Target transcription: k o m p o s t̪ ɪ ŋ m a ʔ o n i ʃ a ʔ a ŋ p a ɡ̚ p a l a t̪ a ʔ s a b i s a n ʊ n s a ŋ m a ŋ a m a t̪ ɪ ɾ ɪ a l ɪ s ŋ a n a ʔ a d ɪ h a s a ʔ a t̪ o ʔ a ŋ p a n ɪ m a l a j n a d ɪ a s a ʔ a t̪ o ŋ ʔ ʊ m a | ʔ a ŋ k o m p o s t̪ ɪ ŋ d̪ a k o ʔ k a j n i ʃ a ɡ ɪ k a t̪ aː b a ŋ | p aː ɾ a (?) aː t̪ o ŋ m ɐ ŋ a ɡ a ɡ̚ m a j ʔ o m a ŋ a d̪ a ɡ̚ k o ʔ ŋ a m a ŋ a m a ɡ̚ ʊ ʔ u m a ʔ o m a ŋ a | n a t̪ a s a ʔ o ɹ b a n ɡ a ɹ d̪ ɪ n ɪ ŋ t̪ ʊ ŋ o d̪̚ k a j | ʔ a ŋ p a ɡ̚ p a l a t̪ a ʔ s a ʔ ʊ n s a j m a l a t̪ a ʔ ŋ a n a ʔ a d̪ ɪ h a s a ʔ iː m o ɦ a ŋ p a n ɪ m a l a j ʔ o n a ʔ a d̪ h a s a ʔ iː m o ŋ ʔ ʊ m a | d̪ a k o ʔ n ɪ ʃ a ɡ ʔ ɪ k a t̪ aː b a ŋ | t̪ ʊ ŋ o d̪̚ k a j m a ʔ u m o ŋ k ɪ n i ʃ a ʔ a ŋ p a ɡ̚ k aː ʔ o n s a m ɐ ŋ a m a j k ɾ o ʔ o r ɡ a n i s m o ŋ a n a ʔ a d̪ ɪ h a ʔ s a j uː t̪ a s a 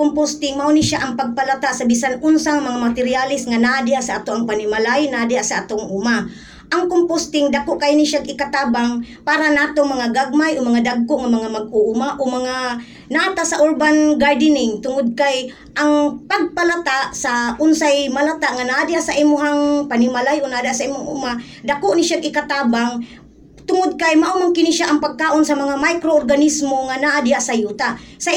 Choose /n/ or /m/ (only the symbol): n